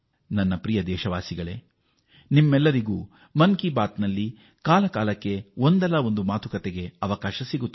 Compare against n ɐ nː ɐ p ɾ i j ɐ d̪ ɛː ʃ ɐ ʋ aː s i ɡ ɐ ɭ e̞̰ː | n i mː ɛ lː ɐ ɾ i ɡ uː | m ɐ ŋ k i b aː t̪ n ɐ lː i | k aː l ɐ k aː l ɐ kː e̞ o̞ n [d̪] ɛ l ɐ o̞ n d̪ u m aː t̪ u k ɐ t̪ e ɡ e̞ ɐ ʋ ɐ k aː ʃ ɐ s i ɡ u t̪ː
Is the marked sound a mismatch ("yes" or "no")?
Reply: no